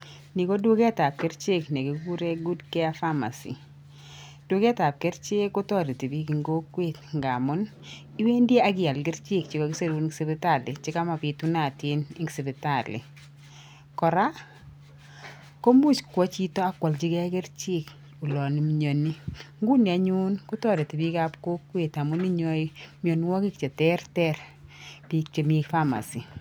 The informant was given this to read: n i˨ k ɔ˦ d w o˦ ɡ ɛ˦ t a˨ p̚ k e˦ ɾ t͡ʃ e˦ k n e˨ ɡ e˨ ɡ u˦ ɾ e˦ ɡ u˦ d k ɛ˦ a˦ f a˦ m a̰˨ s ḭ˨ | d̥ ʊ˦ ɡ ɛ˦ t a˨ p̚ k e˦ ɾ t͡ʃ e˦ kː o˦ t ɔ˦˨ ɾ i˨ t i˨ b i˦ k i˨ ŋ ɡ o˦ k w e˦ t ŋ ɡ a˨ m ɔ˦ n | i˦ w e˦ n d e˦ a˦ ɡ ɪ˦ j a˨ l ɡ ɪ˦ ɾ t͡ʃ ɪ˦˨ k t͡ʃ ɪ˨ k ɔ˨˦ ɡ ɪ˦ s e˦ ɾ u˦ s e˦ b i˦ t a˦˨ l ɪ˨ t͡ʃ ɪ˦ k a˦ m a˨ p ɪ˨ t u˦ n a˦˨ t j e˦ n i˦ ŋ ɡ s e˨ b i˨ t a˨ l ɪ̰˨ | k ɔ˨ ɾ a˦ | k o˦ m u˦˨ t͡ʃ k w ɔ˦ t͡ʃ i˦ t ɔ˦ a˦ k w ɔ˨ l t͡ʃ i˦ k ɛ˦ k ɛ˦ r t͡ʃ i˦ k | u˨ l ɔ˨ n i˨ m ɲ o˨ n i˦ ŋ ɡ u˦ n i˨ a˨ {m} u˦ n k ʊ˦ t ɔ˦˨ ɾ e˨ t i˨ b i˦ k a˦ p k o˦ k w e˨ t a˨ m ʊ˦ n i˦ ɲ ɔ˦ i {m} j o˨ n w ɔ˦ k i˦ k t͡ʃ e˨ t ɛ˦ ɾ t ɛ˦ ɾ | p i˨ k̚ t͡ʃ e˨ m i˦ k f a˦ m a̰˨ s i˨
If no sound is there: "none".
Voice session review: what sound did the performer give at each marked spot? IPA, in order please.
ɲ, m

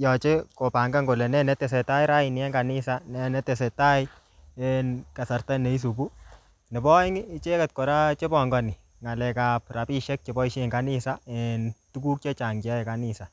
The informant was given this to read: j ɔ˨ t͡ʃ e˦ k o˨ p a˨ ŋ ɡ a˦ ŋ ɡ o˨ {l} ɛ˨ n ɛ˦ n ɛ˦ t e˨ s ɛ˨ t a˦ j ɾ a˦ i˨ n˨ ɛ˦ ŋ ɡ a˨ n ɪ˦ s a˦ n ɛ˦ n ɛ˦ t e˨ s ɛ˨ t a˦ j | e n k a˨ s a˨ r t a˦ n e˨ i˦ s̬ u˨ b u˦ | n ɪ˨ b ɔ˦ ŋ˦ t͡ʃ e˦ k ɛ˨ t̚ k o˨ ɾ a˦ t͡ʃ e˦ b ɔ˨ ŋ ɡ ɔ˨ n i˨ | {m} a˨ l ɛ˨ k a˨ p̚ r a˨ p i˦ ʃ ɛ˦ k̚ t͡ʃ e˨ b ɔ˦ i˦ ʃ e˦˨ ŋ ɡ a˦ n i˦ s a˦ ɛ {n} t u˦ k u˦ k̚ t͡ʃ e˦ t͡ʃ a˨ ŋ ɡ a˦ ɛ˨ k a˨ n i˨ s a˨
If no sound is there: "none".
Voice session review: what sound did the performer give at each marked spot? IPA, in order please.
l, ŋ, n

